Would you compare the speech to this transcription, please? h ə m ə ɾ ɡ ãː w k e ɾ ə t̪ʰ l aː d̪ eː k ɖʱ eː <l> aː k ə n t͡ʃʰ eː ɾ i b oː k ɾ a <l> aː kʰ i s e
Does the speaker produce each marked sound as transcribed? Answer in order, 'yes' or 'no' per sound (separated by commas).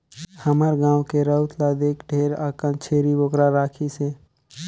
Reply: no, no